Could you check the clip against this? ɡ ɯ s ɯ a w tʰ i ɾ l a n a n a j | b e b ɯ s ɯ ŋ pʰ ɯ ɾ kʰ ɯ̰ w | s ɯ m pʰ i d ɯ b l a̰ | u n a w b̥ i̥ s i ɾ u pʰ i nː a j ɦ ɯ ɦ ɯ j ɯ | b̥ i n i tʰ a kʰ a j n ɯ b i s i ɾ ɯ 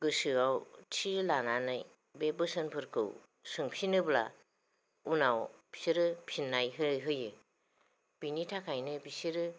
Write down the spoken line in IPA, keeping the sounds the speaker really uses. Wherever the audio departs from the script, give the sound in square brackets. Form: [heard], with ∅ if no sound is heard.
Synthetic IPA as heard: ɡ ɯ s ɯ a w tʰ i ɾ l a n a n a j | b e b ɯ s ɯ [n] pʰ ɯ ɾ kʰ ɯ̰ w | s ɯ [ŋ] pʰ i [n] ɯ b l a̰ | u n a w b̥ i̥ s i ɾ [ɯ] pʰ i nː a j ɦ ɯ ɦ ɯ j ɯ | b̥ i n i tʰ a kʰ a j n ɯ b i s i ɾ ɯ